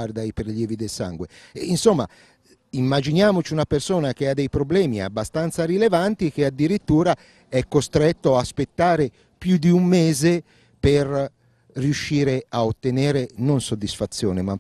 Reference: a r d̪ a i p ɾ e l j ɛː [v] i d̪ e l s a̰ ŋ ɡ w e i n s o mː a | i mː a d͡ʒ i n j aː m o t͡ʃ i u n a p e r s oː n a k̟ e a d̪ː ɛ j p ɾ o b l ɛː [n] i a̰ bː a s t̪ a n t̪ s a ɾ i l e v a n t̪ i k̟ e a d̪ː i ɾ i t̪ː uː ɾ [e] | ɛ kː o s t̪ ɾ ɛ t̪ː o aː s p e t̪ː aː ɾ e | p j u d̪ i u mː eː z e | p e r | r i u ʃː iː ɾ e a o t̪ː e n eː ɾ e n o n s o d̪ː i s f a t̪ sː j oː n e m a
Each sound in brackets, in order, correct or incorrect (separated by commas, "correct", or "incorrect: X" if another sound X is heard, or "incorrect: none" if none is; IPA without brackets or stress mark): correct, incorrect: m, incorrect: a